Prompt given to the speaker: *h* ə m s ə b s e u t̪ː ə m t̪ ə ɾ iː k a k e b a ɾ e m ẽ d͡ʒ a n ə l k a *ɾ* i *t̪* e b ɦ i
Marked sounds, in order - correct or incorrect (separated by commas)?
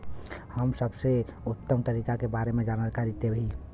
correct, correct, correct